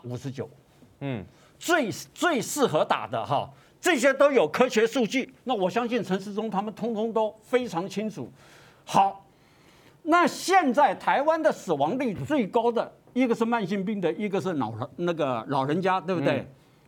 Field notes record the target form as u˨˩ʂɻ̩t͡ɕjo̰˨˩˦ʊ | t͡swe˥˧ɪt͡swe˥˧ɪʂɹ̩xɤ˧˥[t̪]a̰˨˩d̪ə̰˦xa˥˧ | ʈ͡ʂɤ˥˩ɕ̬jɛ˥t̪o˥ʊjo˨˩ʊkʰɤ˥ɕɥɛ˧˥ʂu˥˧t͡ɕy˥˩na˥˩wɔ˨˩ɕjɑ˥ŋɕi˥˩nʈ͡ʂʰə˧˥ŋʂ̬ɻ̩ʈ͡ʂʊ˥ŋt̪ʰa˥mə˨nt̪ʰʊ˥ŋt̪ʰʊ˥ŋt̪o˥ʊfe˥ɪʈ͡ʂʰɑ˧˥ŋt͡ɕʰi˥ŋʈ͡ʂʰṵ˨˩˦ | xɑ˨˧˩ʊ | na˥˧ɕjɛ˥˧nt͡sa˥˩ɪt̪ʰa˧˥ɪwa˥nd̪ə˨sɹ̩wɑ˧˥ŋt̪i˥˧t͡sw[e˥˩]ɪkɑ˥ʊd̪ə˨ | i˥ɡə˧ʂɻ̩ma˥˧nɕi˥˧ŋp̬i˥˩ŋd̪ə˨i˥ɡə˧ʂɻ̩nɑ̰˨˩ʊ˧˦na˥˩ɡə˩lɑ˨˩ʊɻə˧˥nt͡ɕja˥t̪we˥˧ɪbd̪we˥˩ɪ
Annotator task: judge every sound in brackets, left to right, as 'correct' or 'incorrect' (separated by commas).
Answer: correct, correct